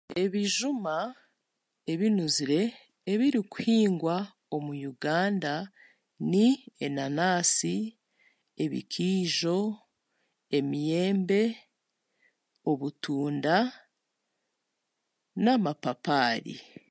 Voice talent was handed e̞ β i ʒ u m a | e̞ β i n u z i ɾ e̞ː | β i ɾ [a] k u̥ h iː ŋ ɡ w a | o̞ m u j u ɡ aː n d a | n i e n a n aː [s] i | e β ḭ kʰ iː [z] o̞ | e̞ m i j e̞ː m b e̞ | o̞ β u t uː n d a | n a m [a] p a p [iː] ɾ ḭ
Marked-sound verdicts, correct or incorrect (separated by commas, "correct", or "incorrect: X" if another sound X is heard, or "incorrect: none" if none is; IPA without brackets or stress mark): incorrect: i, correct, incorrect: ʒ, correct, incorrect: aː